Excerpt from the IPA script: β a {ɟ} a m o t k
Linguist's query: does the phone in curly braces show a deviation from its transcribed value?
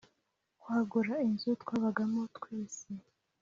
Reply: yes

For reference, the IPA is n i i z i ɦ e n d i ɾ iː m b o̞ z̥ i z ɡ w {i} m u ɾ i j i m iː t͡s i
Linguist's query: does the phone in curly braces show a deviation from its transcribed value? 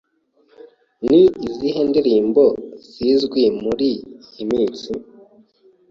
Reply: no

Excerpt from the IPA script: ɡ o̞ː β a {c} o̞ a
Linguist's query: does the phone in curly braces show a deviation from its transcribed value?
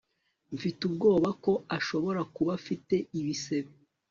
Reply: yes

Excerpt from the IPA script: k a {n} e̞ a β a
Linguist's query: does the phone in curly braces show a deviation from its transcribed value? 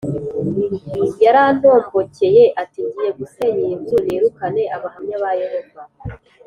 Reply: no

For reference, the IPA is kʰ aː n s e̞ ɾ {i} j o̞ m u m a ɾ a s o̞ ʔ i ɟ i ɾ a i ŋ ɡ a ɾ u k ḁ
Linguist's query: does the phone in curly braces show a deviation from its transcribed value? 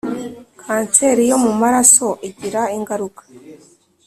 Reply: no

